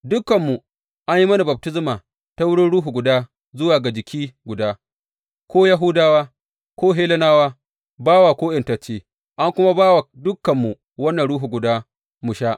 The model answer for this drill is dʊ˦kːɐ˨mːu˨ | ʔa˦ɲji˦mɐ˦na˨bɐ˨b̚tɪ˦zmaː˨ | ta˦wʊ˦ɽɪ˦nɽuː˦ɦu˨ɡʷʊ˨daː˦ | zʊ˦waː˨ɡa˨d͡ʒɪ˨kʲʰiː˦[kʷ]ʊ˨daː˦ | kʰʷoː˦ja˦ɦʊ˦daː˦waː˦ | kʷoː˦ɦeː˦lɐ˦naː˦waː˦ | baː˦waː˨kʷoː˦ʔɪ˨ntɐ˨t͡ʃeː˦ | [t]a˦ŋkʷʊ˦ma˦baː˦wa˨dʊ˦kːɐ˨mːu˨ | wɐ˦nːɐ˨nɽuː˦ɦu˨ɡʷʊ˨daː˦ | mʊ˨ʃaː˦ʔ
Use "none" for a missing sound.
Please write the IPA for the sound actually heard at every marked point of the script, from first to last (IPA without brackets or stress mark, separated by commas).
ɡʷ, ʔ